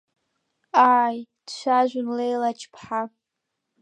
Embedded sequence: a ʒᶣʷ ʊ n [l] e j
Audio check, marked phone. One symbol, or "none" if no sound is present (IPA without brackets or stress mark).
l